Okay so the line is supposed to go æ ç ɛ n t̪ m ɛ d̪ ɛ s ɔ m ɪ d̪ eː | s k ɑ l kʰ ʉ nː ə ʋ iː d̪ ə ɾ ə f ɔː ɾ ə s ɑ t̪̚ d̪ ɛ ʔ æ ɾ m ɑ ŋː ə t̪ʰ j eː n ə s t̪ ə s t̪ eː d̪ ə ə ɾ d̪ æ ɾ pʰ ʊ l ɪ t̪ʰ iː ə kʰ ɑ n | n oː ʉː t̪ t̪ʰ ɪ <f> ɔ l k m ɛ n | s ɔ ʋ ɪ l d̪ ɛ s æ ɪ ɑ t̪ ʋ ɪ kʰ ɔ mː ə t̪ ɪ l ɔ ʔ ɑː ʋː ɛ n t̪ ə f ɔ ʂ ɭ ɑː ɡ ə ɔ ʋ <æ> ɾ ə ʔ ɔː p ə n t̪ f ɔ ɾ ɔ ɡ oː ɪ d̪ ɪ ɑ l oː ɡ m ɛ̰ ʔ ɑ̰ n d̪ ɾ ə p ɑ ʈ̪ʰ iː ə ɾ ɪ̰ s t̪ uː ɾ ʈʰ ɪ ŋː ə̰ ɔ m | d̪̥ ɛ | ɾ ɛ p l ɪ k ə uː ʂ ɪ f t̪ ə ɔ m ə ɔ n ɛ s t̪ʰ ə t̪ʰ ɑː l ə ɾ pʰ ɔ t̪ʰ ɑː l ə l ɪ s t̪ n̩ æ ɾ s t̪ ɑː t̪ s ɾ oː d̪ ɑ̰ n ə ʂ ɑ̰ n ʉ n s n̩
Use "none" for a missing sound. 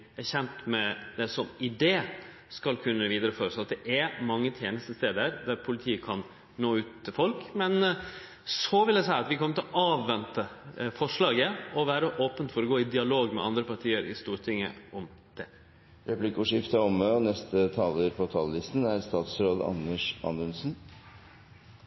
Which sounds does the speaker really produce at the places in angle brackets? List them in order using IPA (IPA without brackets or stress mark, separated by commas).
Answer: f, æː